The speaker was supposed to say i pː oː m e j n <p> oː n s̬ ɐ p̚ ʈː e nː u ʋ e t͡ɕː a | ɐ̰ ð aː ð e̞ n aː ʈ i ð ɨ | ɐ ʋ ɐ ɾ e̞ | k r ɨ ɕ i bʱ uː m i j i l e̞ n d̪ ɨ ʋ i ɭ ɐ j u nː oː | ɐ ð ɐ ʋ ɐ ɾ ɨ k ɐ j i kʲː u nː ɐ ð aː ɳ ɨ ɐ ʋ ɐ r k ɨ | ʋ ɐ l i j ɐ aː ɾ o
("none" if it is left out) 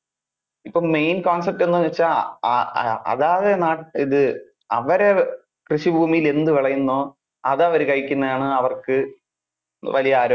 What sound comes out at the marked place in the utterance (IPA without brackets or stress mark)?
k